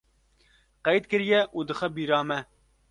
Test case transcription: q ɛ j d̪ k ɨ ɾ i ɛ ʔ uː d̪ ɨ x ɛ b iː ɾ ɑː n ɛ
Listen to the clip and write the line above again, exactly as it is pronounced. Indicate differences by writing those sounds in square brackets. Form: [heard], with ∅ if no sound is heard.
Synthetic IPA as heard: q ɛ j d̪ k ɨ ɾ [j] ɛ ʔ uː d̪ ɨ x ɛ b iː ɾ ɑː [m] ɛ